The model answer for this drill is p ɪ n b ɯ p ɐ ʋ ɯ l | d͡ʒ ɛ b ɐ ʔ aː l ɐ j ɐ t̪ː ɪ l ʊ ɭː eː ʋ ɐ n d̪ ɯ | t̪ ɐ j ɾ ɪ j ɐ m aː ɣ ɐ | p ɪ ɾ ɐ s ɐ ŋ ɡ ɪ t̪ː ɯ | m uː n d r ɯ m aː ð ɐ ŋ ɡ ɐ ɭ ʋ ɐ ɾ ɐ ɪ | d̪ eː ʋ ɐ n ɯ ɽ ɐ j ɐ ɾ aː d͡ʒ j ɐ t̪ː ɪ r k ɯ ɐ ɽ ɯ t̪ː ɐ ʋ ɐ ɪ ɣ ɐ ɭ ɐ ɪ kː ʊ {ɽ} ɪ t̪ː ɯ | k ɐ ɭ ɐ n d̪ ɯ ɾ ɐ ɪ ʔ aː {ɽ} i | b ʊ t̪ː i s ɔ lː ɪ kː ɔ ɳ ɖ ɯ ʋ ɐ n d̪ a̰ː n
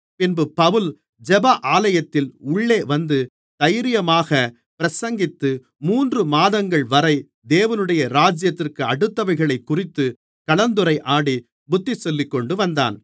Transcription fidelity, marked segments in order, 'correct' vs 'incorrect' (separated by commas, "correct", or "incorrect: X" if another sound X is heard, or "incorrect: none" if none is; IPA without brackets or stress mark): incorrect: r, correct